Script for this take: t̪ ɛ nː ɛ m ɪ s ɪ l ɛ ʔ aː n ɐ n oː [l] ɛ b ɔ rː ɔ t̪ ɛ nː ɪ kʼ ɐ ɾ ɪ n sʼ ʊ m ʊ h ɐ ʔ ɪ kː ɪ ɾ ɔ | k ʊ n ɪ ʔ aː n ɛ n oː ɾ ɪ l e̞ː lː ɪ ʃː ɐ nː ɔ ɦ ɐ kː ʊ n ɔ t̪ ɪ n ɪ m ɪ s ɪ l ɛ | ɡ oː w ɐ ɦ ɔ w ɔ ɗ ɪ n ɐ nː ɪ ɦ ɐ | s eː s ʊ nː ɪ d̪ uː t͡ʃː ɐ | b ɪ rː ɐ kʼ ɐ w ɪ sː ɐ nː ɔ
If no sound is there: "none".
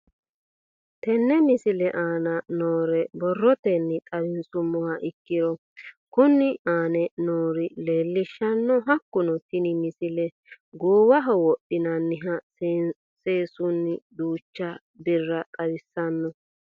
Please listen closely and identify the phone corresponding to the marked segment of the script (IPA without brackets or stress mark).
ɾ